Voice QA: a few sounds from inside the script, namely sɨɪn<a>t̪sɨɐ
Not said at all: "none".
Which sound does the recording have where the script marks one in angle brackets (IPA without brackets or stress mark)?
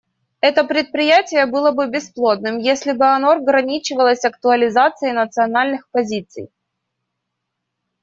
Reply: ə